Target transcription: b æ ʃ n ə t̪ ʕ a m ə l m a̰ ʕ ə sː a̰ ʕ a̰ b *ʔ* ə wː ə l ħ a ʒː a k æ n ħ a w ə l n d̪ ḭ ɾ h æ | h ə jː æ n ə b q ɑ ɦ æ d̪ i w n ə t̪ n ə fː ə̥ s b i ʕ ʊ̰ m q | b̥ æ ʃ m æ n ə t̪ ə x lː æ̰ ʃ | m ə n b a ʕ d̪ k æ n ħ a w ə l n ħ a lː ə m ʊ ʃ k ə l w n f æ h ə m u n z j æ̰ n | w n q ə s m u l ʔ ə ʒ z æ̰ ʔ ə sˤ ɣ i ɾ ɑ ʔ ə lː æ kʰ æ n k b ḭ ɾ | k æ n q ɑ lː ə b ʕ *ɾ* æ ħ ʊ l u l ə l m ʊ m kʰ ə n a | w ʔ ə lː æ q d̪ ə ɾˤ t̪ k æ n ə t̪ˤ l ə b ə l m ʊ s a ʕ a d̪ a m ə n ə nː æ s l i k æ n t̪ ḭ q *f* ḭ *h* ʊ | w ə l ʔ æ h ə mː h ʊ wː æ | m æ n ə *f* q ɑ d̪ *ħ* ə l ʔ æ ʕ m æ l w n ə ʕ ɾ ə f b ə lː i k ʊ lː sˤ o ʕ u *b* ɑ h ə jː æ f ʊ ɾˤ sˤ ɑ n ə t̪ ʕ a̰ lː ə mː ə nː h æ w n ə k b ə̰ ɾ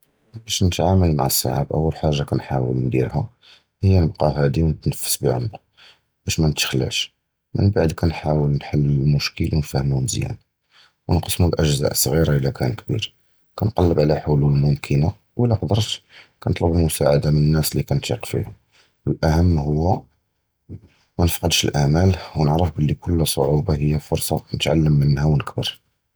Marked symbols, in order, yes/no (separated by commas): yes, no, yes, yes, yes, no, yes